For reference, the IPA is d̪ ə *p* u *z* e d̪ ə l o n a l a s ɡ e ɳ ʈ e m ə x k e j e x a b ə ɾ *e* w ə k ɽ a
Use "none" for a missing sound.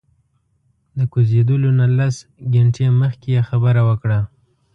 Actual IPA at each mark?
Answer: k, z, a

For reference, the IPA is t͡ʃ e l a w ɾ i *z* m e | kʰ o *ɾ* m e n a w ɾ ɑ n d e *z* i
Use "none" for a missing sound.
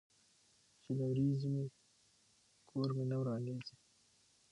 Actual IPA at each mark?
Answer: z, ɾ, z

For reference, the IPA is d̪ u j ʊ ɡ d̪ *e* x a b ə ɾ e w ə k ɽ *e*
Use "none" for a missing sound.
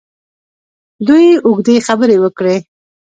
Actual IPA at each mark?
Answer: e, e

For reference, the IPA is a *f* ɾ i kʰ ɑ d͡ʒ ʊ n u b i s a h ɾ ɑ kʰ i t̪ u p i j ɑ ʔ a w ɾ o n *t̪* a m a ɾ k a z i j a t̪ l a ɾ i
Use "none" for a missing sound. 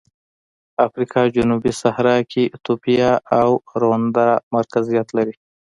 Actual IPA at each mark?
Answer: f, d̪

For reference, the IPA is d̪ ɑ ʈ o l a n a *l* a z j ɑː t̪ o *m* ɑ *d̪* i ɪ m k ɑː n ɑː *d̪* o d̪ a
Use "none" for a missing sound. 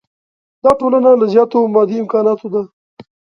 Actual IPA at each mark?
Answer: l, m, d̪, t̪

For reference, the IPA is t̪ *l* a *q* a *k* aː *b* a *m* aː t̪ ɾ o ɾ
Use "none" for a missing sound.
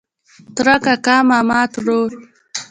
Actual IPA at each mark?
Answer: ɾ, k, k, m, m

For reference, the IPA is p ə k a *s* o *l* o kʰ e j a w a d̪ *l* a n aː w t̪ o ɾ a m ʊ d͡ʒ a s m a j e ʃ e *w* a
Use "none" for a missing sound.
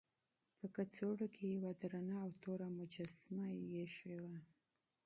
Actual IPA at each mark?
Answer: t͡s, ɽ, ɾ, w

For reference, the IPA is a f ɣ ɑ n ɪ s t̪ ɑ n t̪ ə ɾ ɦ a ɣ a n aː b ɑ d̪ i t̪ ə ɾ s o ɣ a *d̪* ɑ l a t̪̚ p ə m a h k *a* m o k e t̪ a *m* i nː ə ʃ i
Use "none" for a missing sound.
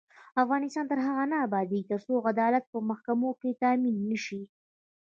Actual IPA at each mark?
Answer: d̪, a, m

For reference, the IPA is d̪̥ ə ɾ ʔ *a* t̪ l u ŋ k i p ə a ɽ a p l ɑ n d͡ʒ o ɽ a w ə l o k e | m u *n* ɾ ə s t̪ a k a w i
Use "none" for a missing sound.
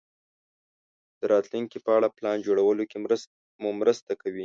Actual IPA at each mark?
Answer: ɑ, m

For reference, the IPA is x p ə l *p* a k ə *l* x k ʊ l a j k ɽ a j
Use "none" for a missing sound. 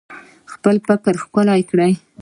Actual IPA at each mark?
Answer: p, ɾ

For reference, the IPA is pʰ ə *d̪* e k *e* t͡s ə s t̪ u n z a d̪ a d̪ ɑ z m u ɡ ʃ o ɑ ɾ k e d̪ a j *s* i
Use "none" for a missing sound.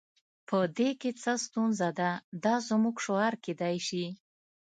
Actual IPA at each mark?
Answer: d̪, e, ʃ

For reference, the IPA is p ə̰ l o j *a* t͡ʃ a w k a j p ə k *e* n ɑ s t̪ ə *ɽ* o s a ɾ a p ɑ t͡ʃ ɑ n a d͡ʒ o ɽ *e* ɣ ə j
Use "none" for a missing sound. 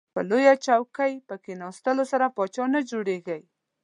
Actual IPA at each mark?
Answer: a, e, l, e

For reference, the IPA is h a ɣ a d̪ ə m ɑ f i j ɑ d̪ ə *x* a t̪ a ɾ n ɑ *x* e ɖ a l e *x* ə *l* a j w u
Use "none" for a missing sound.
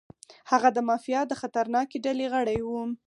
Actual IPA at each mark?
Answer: x, k, ɣ, ɽ

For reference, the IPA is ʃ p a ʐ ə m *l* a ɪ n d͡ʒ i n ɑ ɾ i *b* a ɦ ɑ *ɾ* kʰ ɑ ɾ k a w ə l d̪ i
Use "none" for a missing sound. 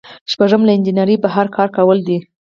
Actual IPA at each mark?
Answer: l, b, ɾ

